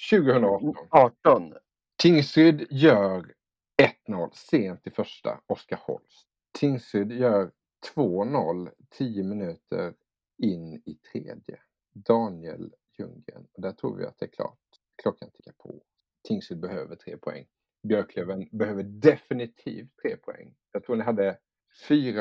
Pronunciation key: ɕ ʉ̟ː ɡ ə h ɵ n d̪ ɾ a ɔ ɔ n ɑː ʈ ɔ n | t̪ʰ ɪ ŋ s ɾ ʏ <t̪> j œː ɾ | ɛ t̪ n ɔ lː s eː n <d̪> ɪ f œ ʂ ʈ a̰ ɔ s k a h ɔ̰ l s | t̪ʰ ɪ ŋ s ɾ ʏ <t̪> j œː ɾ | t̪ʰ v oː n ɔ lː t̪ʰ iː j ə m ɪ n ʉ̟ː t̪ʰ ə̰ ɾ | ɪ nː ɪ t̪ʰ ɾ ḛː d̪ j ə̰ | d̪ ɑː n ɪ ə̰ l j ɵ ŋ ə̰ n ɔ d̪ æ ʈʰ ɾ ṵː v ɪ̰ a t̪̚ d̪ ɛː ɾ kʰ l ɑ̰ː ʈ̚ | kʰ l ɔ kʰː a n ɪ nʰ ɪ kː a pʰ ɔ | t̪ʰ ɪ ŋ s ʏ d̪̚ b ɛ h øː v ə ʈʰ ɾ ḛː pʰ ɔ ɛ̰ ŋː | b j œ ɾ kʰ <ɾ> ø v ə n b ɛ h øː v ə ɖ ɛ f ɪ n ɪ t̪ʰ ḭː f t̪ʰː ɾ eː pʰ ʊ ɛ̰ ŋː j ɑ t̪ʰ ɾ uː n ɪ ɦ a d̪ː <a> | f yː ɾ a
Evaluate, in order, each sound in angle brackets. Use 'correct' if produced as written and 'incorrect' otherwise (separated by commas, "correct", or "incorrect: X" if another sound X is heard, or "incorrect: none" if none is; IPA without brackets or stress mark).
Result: incorrect: d̪, incorrect: t̪, incorrect: d̪, incorrect: l, incorrect: ə